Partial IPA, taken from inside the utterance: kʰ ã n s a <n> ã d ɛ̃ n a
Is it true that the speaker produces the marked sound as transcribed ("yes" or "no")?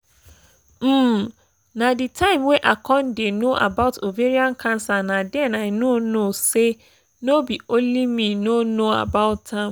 yes